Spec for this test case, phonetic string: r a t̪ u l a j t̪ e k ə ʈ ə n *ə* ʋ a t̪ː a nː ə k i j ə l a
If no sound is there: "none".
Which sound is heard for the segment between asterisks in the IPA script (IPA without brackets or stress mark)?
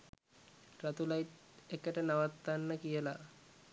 a